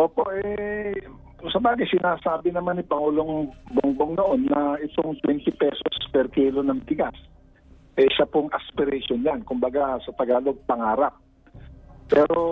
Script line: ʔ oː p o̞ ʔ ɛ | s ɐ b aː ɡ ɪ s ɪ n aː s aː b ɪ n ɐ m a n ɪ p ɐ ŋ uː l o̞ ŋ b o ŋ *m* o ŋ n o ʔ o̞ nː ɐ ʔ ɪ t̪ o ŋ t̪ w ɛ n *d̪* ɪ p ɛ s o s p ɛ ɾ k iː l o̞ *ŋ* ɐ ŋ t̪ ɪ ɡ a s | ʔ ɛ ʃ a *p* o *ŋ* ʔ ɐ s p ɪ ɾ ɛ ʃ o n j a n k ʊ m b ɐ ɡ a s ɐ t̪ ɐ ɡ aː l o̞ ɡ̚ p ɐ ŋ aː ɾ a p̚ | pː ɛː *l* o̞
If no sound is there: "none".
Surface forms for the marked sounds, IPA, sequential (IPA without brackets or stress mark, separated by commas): b, t̪, n, p, ŋ, ɾ